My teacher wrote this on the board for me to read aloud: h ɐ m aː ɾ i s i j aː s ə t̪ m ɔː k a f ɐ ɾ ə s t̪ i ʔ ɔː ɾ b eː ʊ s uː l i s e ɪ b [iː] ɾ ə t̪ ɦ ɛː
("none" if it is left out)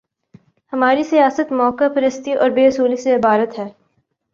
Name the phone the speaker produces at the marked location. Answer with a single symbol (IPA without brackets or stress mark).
aː